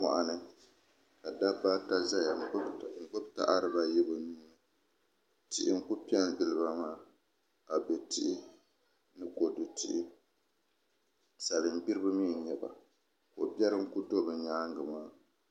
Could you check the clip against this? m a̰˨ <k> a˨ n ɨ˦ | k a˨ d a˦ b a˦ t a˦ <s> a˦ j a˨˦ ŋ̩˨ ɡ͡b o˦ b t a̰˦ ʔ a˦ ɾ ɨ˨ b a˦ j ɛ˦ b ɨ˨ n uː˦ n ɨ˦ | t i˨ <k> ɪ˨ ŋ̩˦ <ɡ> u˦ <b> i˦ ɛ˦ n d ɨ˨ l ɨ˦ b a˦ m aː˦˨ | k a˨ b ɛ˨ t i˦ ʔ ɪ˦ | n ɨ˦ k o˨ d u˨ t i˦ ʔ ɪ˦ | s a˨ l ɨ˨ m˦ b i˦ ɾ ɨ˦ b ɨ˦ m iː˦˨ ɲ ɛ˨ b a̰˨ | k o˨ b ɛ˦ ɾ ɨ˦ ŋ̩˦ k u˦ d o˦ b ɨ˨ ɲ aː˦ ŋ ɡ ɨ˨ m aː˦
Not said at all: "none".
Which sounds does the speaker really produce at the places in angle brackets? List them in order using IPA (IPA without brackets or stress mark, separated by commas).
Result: ʔ, z, ʔ, k, p